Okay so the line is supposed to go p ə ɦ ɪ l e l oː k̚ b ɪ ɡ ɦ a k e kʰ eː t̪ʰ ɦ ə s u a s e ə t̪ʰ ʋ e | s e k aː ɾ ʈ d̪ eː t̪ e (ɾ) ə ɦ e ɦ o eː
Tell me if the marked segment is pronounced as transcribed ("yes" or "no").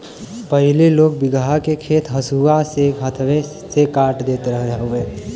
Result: yes